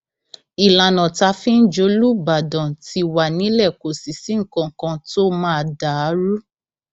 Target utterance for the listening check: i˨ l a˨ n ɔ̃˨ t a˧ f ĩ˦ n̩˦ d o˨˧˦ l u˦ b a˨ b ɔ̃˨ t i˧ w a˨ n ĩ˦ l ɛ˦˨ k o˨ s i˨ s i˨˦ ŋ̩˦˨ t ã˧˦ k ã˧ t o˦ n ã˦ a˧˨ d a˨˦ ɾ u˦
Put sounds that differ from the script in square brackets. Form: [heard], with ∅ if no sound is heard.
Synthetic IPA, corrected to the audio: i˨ l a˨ n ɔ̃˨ t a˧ f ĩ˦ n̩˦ [d͡ʒ] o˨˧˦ l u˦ b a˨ [d] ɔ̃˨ t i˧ w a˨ n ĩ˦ l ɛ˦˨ k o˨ s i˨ s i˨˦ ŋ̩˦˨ [k] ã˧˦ k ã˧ t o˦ [m] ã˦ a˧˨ d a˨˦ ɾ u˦